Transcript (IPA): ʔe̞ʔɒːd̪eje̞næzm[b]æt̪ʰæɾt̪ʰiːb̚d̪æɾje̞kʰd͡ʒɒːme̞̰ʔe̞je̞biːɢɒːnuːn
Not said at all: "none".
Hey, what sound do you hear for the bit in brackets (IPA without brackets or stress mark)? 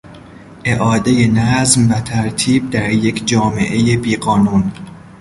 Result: v